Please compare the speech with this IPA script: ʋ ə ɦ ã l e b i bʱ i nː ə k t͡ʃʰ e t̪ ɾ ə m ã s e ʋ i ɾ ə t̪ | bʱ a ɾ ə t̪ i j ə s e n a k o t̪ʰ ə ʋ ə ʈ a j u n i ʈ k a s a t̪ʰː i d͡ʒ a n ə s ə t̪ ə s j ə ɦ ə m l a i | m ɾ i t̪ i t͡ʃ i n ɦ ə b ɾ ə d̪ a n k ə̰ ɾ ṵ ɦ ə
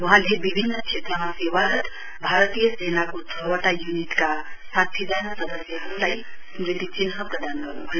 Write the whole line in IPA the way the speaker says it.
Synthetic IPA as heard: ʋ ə ɦ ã l e b i bʱ i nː ə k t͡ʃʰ e t̪ ɾ ə m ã s e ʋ a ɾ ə t̪ | bʱ a ɾ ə t̪ i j ə s e n a k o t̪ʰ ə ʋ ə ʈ a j u n i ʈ k a s a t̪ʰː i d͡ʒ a n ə s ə d̪ ə s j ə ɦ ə m l a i | m ɾ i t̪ i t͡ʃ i n ɦ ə p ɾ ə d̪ a n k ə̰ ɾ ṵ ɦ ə